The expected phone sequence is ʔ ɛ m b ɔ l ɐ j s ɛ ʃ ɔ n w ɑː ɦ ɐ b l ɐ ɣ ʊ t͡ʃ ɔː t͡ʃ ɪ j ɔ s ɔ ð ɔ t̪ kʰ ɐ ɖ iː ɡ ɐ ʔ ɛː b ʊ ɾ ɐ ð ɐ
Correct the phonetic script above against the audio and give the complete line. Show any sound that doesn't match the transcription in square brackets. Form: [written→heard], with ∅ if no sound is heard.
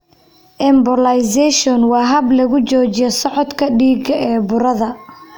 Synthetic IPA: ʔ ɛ m b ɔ l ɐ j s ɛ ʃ ɔ n w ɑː ɦ ɐ b l ɐ ɣ ʊ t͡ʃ ɔː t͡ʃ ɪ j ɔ s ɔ [ð→ʕ] ɔ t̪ kʰ ɐ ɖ iː ɡ ɐ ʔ ɛː b ʊ ɾ ɐ ð ɐ